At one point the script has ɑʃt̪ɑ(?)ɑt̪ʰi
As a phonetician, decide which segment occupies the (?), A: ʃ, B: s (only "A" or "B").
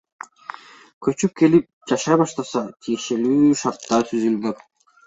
B